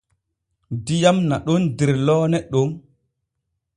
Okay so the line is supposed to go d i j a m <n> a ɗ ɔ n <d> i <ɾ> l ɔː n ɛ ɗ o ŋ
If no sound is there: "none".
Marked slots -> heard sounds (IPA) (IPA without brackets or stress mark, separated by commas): n, d, ɾ